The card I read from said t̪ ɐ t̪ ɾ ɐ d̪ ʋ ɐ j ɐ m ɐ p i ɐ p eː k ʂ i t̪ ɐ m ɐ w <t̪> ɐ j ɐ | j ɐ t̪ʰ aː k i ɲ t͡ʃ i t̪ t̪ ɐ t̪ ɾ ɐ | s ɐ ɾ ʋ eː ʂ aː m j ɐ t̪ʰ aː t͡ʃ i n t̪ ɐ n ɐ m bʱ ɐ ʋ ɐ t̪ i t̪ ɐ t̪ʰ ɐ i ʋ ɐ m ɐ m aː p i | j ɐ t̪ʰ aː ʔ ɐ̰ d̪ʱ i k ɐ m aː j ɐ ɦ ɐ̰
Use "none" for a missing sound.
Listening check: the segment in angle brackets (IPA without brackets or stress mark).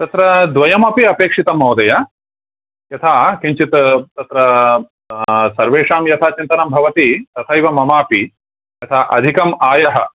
d̪